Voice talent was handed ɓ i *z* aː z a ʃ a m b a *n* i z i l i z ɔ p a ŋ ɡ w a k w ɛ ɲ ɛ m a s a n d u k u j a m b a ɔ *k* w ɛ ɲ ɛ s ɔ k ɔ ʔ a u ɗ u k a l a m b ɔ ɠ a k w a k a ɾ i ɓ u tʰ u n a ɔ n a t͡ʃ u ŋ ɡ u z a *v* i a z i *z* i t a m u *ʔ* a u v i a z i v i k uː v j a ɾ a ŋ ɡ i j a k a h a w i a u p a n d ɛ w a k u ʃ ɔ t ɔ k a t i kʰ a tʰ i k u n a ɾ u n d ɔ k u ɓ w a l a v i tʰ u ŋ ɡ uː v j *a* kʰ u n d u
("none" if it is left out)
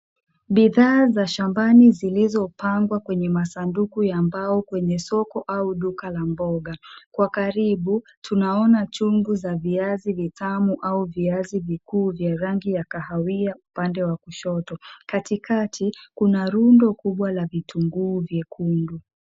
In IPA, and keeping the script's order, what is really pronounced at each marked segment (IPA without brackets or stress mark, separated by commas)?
ð, n, k, v, v, ʔ, ɛ